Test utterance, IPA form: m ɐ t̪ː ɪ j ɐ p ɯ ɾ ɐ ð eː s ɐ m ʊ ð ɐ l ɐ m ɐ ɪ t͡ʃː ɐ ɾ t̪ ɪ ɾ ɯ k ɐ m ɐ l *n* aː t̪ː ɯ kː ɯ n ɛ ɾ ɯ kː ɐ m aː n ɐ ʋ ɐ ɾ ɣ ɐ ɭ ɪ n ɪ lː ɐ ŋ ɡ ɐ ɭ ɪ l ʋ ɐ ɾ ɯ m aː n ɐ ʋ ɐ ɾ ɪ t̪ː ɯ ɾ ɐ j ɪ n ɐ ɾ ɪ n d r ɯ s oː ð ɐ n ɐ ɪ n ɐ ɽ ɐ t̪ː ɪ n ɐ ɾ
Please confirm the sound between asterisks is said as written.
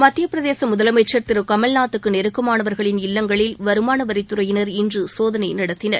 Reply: yes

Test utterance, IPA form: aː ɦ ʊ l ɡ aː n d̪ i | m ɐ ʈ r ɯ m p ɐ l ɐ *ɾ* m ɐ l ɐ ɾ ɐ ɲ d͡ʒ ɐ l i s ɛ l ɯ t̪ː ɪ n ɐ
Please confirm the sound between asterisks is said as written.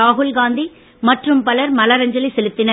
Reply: yes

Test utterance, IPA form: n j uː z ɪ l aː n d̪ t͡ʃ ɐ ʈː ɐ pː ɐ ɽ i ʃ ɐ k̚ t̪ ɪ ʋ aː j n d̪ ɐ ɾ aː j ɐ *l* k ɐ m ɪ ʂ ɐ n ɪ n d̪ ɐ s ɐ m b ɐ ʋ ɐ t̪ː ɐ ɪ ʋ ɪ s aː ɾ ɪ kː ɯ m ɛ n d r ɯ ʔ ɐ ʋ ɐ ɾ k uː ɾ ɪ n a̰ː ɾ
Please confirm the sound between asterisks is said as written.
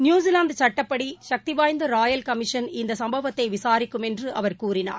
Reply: yes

